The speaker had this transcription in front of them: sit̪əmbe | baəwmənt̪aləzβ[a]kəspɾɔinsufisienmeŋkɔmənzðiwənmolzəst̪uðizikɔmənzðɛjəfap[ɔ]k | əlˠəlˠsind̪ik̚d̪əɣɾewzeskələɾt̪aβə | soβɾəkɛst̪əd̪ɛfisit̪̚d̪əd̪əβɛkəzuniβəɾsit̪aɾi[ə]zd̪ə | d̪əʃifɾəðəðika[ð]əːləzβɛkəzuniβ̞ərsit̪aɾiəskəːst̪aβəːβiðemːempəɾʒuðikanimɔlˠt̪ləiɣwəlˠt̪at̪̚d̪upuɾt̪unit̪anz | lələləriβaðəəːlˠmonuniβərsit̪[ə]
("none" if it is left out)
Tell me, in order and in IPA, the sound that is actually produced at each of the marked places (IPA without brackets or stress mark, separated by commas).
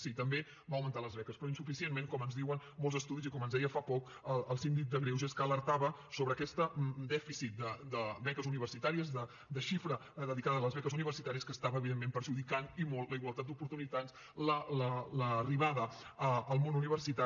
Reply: ɛ, ɔ, ə, ð, a